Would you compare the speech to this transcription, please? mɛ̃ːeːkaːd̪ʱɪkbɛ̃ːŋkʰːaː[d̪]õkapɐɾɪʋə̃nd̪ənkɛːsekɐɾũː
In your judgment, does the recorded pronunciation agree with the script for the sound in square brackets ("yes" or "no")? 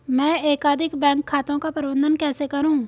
no